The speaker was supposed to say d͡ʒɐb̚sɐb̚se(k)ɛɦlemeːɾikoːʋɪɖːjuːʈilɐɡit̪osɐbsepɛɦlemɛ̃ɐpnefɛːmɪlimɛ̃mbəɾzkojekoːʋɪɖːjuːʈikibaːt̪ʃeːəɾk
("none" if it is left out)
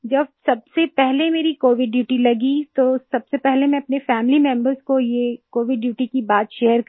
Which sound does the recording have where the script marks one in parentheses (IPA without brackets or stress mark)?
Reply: p